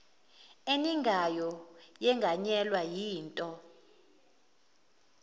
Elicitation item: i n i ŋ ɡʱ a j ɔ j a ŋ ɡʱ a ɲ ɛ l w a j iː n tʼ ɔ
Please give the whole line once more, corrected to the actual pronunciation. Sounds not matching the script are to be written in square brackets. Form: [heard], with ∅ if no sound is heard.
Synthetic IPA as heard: [e] n i ŋ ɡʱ a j ɔ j [ɛ] ŋ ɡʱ a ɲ ɛ l w a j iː n tʼ ɔ